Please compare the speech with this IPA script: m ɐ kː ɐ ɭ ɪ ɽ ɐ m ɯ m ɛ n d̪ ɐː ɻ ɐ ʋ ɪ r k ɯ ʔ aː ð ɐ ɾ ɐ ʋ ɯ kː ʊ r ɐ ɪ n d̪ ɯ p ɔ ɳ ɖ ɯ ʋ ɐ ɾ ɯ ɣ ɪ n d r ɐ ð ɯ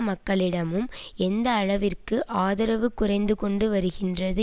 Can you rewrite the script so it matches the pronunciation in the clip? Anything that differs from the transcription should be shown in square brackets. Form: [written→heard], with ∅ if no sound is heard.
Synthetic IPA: m ɐ kː ɐ ɭ ɪ ɽ ɐ m ɯ m ɛ n d̪ ɐː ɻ ɐ ʋ ɪ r k ɯ ʔ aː ð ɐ ɾ ɐ ʋ ɯ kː ʊ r ɐ ɪ n d̪ ɯ [p→k] ɔ ɳ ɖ ɯ ʋ ɐ ɾ ɯ ɣ ɪ n d r ɐ ð ɯ